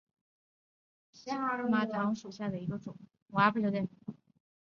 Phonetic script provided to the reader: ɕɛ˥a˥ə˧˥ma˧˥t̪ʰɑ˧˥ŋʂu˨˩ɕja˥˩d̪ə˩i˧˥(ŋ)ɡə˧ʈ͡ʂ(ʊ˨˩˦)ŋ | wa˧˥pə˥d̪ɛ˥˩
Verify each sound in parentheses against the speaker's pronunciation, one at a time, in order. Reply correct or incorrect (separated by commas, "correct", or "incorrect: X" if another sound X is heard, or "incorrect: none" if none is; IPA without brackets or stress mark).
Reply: incorrect: none, correct